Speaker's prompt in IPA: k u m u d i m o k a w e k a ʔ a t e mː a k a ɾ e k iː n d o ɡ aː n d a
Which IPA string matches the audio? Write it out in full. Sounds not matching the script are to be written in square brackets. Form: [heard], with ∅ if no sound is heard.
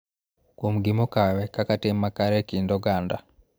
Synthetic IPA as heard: k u m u [ɡ] i m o k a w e k a [k] a t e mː a k a ɾ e k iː n d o ɡ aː n d a